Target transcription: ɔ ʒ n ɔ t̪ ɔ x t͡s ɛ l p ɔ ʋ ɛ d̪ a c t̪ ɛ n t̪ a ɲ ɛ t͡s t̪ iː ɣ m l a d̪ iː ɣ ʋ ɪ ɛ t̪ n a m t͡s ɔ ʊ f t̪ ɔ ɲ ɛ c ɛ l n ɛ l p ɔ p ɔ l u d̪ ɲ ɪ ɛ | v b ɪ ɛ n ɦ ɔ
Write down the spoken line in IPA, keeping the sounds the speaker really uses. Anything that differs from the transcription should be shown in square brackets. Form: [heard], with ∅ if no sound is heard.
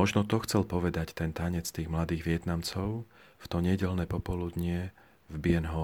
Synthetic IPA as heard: ɔ ʒ n ɔ t̪ ɔ x t͡s ɛ l p ɔ ʋ ɛ d̪ a c t̪ ɛ n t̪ a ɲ ɛ t͡s t̪ iː ɣ m l a d̪ iː ɣ ʋ ɪ ɛ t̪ n a m t͡s ɔ ʊ f t̪ ɔ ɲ ɛ [ɟ] ɛ l n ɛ [∅] p ɔ p ɔ l u d̪ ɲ ɪ ɛ | v b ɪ ɛ n ɦ ɔ